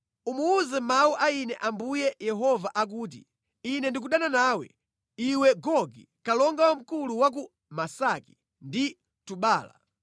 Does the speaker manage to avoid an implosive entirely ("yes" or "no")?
no